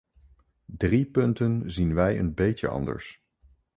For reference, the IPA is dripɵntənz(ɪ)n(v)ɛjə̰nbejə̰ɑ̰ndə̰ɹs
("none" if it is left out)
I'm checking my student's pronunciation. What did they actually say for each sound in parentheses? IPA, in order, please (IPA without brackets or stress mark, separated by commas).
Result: i, ʋ